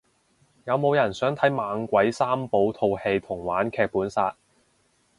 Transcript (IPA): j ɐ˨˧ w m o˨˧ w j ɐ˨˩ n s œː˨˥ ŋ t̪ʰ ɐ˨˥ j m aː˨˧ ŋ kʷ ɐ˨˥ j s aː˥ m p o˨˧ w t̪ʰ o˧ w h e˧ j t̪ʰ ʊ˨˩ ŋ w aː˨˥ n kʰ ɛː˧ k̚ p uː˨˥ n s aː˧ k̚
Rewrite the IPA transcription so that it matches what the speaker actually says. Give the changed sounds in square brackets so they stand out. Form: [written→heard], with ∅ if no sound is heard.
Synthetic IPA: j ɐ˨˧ w m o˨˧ w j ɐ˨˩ n s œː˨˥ ŋ t̪ʰ ɐ˨˥ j m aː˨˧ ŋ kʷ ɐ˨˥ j s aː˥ m p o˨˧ w t̪ʰ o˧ w h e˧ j t̪ʰ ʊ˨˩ ŋ w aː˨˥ n kʰ ɛː˧ k̚ p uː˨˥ n s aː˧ [k̚→t̚]